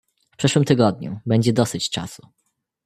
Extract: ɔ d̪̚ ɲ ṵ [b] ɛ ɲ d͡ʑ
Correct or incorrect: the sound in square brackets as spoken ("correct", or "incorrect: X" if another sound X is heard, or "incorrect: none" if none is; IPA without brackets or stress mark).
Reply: correct